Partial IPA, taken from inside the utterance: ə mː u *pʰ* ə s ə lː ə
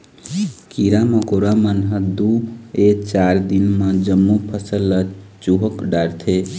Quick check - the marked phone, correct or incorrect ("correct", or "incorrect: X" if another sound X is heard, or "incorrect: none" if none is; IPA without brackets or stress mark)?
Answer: correct